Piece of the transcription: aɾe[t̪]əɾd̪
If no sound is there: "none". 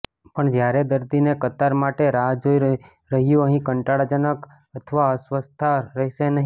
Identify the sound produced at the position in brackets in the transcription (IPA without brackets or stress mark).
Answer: d̪